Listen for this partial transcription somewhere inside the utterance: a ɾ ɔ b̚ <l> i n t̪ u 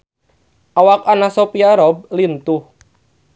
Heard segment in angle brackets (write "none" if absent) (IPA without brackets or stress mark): l